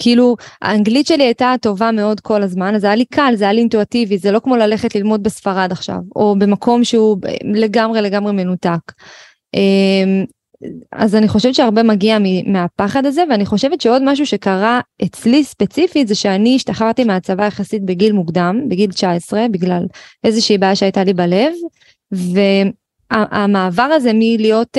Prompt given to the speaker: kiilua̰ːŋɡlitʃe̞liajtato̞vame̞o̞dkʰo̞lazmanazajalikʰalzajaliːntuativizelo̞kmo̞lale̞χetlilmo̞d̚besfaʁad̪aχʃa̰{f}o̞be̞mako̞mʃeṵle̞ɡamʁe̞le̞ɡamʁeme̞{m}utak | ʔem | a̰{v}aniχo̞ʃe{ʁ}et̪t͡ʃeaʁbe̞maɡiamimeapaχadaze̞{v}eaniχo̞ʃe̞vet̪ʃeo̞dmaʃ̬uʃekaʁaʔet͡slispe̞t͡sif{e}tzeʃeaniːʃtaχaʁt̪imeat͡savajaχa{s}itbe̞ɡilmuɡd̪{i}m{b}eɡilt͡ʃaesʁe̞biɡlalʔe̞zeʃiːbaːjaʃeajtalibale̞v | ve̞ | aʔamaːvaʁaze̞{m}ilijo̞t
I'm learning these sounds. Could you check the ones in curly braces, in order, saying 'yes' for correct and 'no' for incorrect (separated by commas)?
no, no, no, no, yes, no, yes, no, yes, yes